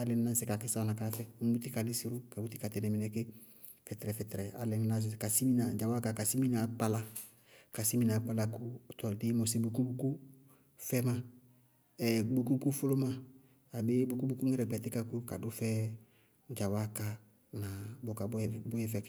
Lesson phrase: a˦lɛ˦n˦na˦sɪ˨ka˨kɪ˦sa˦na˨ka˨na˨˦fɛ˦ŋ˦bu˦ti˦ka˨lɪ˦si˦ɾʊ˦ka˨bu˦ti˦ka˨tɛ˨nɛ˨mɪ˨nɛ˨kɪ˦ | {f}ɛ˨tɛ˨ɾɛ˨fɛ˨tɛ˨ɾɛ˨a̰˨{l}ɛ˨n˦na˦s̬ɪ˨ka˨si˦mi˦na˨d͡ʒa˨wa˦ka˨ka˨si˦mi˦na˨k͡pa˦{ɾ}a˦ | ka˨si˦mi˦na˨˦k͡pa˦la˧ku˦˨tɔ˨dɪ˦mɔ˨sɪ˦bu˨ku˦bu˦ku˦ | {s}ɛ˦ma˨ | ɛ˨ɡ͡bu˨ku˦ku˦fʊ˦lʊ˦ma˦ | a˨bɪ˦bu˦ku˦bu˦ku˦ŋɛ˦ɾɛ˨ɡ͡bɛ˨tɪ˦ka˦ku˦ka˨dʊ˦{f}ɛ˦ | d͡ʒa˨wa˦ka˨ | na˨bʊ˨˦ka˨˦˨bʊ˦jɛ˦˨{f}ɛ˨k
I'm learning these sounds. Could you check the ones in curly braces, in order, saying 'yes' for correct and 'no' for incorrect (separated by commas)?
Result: yes, yes, no, no, yes, yes